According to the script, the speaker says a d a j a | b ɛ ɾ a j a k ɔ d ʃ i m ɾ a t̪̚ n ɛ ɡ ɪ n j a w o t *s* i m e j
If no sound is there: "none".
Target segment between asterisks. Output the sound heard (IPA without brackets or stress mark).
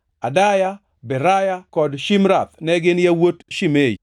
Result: ʃ